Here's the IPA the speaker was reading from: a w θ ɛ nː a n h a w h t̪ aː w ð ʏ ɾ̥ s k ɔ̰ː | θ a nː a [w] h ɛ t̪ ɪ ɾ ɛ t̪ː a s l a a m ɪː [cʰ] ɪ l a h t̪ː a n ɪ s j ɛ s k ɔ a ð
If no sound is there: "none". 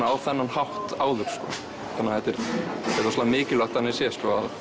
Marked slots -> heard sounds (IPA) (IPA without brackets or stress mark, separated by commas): none, c